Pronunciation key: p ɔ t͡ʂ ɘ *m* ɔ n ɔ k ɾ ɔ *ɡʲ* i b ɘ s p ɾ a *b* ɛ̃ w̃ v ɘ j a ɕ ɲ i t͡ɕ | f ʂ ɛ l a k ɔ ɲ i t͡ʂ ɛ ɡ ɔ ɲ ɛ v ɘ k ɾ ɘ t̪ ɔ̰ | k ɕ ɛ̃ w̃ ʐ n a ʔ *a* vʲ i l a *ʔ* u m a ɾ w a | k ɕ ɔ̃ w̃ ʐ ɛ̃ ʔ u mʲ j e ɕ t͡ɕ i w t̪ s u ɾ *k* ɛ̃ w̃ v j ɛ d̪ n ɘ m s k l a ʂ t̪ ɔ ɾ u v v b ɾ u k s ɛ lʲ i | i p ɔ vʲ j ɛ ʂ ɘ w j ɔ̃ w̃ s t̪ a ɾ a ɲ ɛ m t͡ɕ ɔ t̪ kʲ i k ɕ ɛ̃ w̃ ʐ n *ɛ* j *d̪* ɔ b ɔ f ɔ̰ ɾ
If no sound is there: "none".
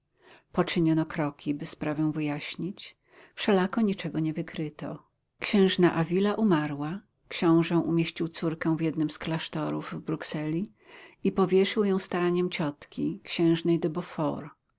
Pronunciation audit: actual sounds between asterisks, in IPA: ɲ, kʲ, v, a, ʔ, k, ɛ, d̪

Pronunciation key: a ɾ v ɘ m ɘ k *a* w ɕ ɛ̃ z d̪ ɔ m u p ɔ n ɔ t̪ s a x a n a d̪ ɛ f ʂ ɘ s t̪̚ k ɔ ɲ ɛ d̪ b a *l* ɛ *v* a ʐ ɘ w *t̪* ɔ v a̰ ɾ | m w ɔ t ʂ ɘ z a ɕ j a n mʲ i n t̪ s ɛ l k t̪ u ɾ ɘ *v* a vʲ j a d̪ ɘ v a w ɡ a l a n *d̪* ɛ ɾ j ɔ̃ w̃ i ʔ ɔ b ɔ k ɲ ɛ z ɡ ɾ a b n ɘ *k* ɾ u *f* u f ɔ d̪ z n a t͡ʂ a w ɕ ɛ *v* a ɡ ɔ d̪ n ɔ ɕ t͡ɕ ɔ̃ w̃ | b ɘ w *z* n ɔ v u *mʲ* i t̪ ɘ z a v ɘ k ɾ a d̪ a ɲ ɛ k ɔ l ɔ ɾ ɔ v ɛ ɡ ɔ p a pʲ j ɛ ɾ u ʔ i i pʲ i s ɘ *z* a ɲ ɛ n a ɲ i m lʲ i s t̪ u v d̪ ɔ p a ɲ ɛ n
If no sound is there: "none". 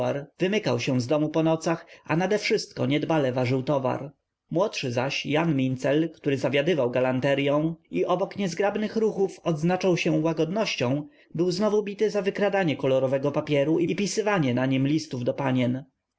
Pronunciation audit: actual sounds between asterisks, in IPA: a, l, v, t̪, z, t̪, x, x, w, z, bʲ, v

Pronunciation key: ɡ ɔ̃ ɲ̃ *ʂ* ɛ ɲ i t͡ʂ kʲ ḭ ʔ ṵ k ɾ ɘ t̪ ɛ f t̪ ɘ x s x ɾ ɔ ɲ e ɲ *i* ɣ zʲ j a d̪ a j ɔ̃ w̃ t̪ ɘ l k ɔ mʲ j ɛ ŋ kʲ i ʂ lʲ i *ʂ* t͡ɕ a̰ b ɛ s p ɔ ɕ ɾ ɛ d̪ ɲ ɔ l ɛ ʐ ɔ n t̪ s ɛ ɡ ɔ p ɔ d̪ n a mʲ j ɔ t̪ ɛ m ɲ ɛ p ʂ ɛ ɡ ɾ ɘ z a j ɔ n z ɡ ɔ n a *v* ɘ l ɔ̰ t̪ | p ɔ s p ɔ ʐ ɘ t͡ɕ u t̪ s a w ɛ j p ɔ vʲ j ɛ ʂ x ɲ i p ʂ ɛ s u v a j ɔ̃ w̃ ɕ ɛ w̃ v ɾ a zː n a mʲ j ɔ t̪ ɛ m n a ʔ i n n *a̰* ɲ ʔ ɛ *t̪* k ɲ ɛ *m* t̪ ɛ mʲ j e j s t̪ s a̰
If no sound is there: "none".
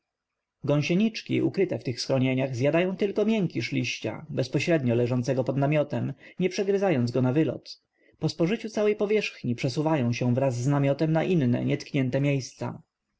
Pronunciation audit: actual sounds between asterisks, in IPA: ɕ, a, ɕ, v, ɛ̰, t̪, n

